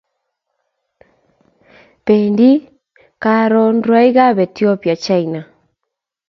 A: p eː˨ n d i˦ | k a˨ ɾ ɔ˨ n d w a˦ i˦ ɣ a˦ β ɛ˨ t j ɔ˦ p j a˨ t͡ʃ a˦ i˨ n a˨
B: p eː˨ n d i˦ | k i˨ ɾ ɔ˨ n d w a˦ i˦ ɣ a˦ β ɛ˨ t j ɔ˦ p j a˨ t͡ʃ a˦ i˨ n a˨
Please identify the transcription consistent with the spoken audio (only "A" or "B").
A